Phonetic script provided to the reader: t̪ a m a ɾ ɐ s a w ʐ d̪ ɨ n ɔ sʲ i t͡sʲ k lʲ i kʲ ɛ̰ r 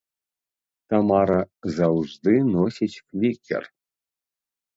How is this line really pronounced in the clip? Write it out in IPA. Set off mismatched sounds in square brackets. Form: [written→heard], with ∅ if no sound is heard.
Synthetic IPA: t̪ a m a ɾ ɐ [s→z] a w ʐ d̪ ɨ n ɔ sʲ i t͡sʲ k lʲ i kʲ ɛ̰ r